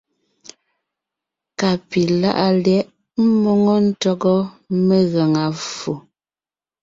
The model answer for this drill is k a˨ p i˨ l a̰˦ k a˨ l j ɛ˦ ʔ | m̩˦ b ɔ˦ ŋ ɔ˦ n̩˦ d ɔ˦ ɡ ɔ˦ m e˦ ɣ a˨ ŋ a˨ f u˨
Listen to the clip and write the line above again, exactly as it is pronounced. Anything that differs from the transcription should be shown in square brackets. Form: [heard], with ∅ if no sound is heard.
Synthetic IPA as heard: k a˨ p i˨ l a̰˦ [ʔ] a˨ l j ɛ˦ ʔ | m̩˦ [m] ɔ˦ ŋ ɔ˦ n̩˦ [t] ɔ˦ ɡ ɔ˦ m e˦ ɣ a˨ ŋ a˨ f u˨